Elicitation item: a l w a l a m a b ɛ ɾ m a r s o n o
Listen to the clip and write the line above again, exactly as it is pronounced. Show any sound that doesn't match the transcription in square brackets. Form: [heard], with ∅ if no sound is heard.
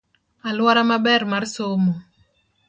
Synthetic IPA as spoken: a l w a [ɾ] a m a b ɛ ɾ m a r s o [m] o